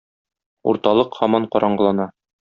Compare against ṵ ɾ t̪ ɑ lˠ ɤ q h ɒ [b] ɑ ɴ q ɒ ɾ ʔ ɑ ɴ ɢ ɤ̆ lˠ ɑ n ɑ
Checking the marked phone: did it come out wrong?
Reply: yes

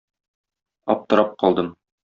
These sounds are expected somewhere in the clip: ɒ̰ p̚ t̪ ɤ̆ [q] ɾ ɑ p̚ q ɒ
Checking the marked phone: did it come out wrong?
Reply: yes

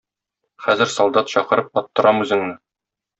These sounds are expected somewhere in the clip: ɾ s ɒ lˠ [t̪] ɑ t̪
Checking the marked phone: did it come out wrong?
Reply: yes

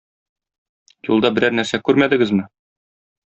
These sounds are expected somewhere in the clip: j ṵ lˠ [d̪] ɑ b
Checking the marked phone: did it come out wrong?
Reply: no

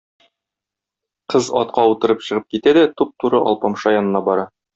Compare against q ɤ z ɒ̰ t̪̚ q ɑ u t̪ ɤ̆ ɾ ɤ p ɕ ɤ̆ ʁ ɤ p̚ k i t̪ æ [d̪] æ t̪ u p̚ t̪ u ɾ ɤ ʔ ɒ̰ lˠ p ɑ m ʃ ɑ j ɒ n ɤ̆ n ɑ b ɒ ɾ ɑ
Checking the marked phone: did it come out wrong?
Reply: no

